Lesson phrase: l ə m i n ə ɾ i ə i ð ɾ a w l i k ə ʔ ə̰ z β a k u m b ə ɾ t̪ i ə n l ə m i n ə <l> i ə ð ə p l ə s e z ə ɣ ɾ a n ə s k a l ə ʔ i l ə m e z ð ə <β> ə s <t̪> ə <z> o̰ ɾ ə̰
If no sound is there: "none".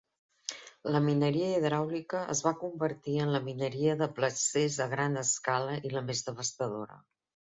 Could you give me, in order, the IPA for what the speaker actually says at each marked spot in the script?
ɾ, β, t̪, ð

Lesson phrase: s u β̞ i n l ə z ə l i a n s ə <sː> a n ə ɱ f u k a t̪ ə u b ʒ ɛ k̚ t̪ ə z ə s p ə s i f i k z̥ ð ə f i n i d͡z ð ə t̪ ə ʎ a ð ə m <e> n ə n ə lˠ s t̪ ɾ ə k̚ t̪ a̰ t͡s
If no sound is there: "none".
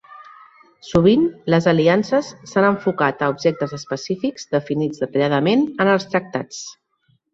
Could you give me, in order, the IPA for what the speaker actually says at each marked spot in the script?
sː, e

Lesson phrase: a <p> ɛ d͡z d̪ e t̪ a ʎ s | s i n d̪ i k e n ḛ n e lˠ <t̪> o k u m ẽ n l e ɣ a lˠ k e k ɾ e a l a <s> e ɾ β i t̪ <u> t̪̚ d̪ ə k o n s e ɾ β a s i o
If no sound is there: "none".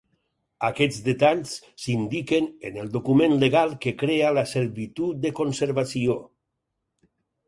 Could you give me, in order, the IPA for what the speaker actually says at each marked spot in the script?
k, d̪, s, u

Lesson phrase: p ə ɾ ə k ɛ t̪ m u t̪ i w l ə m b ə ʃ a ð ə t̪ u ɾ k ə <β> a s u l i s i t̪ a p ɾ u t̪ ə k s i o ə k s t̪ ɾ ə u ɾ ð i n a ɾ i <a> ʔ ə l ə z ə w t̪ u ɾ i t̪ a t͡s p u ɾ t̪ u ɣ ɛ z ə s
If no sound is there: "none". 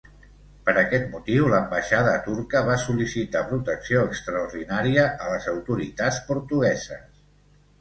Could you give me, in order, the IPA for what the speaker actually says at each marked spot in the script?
β, ə

